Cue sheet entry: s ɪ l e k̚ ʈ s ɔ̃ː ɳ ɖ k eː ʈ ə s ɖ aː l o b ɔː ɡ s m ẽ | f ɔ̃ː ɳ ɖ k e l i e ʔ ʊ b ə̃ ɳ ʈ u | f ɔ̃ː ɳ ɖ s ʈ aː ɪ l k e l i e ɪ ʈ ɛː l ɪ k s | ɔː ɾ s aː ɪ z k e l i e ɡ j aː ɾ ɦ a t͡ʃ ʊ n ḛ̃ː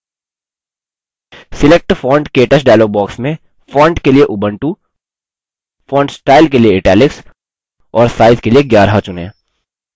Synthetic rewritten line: s ɪ l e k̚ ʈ f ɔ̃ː ɳ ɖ k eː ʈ ə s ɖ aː l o b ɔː k s m ẽ | f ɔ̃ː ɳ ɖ k e l i e ʔ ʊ b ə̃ ɳ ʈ u | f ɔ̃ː ɳ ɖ s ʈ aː ɪ l k e l i e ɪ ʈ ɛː l ɪ k s | ɔː ɾ s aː ɪ z k e l i e ɡ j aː ɾ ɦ a t͡ʃ ʊ n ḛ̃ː